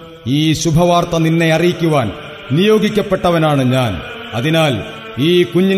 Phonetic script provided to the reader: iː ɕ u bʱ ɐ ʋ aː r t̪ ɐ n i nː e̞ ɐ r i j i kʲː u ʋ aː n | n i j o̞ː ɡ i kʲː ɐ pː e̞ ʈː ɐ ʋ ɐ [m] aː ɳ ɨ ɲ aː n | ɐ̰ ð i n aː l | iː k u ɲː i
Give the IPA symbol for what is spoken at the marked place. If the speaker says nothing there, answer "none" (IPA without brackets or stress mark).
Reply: n